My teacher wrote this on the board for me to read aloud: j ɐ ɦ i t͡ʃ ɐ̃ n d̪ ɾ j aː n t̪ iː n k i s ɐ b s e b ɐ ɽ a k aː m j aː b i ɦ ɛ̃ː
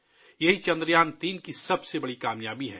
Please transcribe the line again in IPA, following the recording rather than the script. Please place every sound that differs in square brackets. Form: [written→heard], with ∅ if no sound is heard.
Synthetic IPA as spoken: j ɐ ɦ i t͡ʃ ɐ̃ n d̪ ɾ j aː n t̪ iː n k i s ɐ b s e b ɐ ɽ [a→i] k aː m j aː b i ɦ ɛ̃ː